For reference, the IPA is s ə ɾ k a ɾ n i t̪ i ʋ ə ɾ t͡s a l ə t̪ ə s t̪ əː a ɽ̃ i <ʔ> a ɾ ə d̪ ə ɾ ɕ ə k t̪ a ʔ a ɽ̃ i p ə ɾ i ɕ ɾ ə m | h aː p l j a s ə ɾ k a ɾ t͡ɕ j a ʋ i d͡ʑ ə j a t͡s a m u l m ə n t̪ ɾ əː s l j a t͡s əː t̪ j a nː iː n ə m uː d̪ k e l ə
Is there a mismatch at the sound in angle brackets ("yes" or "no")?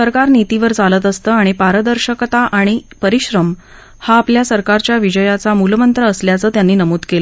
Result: yes